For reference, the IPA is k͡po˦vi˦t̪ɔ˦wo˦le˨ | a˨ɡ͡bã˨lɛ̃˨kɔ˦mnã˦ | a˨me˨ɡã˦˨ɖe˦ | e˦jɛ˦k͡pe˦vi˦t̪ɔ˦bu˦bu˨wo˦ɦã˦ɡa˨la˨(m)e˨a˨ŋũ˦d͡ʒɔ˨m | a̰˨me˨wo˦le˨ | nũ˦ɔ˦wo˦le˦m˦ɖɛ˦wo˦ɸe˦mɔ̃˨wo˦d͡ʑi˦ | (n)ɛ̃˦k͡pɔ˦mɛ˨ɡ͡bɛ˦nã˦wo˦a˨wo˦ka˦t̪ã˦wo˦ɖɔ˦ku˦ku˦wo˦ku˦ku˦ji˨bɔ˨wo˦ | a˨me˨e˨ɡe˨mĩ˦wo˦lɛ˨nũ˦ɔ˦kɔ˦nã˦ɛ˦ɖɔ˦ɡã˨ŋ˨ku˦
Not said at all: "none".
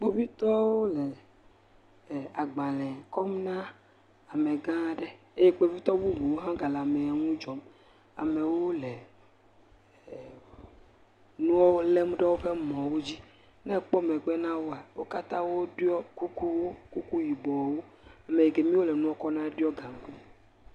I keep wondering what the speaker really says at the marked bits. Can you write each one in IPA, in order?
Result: m, n

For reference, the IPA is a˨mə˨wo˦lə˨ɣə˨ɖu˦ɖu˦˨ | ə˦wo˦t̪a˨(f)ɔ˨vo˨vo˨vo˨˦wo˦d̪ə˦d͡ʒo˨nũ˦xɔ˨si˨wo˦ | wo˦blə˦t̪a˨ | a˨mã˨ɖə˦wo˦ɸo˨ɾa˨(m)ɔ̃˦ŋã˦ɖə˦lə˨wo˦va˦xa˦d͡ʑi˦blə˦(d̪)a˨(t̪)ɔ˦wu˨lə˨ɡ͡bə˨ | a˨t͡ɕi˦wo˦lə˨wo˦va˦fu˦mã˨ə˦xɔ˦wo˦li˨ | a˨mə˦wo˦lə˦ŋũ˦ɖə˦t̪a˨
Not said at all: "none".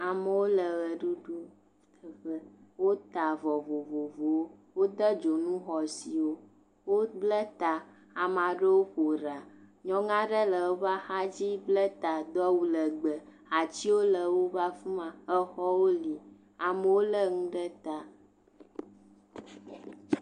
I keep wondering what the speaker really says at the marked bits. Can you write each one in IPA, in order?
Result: v, ɲ, t̪, d̪

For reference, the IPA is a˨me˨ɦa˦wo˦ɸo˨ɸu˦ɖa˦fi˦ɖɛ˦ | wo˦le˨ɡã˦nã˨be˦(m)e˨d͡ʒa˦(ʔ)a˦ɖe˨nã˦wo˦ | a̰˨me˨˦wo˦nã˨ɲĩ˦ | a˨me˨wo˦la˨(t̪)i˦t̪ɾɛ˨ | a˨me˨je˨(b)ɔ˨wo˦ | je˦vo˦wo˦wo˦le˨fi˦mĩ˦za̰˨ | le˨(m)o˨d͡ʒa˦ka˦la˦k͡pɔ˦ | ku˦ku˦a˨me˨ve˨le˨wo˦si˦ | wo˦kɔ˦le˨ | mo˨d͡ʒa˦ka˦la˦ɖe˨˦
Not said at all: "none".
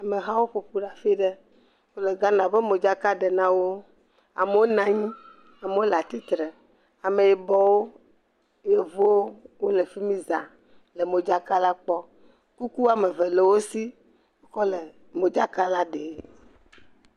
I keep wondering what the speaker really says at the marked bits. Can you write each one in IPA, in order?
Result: m, k, t̪, b, m

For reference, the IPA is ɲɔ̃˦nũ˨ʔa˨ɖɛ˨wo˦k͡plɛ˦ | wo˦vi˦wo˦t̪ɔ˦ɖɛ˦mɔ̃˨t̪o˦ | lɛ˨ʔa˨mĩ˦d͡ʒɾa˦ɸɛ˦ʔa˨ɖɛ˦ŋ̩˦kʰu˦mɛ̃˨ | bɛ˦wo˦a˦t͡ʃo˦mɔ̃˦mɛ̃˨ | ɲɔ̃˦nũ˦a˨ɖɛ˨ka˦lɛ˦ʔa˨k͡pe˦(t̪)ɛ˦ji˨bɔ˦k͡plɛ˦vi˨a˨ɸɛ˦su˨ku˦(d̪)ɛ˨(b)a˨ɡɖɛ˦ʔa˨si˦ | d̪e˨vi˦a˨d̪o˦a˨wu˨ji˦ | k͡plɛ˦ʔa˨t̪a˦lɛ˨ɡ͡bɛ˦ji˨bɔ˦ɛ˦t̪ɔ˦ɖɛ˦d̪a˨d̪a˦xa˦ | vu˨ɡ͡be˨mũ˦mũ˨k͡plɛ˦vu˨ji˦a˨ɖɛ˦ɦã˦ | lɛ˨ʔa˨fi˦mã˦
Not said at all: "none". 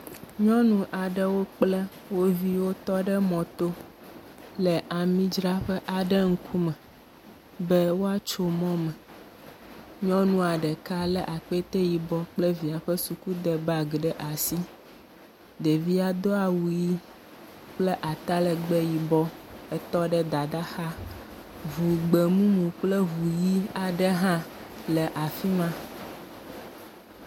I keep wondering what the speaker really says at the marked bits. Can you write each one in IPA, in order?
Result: t̪, d̪, b

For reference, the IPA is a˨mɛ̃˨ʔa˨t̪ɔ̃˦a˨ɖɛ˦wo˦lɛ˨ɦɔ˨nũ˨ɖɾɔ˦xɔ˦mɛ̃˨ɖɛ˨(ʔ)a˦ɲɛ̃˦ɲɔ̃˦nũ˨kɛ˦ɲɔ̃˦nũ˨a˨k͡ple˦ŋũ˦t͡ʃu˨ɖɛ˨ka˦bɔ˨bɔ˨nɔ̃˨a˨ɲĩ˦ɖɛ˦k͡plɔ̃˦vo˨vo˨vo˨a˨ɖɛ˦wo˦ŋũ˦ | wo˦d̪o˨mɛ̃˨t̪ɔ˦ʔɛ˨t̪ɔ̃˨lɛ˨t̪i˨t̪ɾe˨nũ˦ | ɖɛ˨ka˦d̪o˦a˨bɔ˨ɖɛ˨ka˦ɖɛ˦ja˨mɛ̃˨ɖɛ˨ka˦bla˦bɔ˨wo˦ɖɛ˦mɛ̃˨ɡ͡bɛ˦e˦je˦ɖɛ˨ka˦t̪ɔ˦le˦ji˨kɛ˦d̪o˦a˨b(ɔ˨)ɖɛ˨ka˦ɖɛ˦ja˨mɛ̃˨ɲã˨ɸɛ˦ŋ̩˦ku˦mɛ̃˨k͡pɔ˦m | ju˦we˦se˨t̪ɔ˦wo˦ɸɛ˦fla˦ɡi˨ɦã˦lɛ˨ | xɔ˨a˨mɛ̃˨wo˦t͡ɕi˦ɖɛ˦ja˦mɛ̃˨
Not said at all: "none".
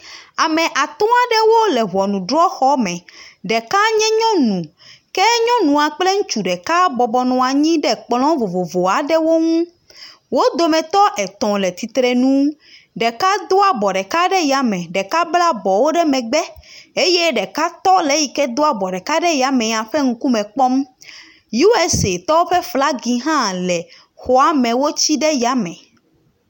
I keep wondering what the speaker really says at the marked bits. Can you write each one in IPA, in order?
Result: k, ɔ˨

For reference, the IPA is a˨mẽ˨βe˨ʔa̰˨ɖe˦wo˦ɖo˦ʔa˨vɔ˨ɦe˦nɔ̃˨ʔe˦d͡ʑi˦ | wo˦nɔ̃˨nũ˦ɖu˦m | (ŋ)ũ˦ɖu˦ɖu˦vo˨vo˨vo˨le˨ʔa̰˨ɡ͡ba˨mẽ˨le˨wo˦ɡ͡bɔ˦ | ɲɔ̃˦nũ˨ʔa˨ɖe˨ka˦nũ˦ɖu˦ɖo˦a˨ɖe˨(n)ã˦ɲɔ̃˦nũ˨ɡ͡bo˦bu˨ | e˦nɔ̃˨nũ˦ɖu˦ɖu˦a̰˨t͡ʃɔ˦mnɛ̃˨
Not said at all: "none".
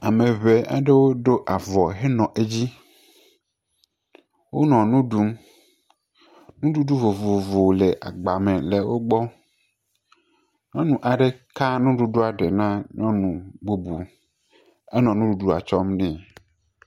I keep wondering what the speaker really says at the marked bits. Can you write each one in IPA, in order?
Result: n, n

